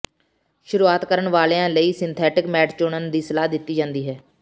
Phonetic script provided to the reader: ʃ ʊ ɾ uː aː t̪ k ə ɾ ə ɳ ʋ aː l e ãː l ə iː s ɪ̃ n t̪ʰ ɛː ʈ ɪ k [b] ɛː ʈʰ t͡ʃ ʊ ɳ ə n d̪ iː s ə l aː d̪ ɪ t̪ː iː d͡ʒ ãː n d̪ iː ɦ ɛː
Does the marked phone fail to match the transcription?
yes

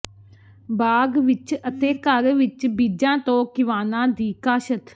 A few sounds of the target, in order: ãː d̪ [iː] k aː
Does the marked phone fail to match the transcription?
no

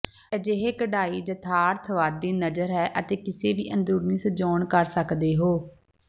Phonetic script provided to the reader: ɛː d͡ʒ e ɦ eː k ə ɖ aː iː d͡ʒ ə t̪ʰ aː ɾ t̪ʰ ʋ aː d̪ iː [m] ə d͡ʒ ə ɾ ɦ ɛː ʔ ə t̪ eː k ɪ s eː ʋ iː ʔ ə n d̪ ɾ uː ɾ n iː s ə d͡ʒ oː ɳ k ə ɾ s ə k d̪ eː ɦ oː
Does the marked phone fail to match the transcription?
yes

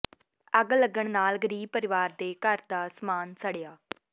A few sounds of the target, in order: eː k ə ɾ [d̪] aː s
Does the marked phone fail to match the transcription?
no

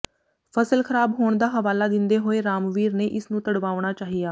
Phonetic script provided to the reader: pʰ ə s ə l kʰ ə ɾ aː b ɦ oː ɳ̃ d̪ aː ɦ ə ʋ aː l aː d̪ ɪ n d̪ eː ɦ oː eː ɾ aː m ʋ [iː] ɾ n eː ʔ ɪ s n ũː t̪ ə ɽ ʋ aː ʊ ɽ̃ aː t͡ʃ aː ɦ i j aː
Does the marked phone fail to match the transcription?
no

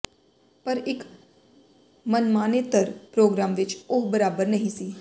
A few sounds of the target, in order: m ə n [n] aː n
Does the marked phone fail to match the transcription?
yes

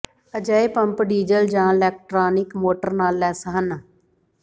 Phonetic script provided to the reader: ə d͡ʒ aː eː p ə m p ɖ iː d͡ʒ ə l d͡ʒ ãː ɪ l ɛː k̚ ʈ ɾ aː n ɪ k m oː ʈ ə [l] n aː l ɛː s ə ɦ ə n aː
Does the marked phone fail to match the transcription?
yes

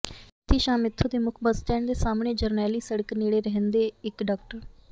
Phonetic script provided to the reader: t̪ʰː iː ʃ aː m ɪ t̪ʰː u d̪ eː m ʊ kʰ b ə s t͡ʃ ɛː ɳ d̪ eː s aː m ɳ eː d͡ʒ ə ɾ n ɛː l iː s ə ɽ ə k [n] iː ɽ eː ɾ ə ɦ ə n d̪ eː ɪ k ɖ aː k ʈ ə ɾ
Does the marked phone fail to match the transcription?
no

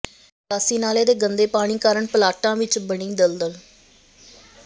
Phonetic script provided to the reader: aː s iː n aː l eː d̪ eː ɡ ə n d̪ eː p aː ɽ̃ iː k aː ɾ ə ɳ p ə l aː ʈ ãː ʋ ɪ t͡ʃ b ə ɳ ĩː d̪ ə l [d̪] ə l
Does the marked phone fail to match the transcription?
no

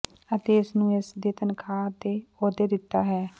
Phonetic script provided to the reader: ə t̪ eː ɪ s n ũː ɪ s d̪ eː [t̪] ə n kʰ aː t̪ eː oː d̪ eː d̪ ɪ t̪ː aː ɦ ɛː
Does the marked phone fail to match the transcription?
no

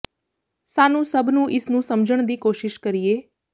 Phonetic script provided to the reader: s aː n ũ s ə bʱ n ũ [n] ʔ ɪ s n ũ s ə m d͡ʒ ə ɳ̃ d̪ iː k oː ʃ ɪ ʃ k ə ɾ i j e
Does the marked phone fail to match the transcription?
yes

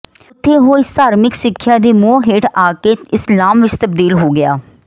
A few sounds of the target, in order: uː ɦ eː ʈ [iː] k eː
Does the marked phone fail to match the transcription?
yes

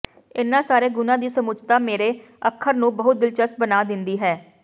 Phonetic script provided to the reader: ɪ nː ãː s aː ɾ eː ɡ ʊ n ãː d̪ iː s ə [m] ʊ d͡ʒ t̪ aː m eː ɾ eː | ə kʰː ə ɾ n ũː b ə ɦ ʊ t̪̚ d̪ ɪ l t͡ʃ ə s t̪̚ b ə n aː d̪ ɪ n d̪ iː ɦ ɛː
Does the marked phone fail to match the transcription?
no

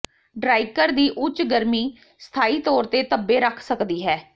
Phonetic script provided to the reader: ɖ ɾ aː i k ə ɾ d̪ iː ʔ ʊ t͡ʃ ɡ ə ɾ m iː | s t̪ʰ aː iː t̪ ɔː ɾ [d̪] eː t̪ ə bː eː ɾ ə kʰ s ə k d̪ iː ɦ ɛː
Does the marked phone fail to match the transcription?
yes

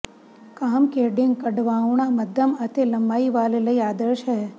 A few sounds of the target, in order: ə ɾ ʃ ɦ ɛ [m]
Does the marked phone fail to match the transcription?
yes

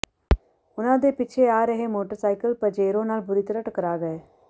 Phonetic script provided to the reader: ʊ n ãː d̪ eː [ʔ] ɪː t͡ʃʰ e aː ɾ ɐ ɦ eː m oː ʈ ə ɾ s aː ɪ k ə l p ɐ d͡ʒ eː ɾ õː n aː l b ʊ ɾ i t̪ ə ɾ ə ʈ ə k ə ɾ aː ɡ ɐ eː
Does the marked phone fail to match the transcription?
yes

